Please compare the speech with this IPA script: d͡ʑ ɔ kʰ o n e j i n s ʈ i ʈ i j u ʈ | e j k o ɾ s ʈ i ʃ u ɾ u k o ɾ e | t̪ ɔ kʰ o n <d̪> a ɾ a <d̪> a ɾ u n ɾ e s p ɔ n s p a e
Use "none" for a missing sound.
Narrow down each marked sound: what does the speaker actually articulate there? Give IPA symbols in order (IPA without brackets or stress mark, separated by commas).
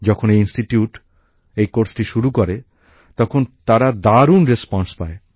t̪, d̪